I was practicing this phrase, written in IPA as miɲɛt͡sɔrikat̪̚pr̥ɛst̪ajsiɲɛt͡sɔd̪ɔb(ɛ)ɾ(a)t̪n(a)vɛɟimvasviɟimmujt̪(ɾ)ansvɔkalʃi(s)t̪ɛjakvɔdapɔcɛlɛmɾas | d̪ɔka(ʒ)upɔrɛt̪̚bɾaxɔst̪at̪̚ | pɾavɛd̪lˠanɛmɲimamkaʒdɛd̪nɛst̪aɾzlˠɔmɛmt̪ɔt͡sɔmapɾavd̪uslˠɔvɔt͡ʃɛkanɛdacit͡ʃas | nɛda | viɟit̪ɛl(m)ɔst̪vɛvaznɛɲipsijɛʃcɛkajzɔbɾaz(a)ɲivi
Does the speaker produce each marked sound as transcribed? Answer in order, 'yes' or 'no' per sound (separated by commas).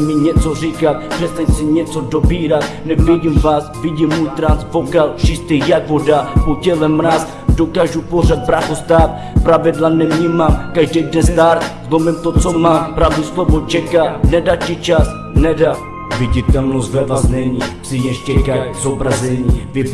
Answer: no, yes, no, yes, yes, yes, no, no